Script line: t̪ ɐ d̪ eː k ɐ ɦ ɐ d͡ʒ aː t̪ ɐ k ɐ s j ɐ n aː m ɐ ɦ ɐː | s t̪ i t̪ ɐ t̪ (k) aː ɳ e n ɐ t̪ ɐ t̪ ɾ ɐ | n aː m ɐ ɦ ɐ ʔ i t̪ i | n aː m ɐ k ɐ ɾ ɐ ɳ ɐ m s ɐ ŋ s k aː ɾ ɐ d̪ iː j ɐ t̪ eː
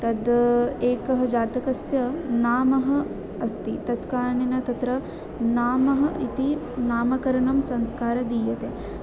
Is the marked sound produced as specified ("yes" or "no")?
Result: yes